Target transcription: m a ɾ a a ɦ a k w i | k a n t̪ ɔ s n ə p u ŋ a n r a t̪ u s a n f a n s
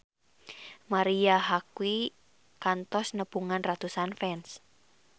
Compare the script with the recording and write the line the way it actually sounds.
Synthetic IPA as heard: m a ɾ i a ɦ a k w i | k a n t̪ ɔ s n ə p u ŋ a n r a t̪ u s a n f ɛ n s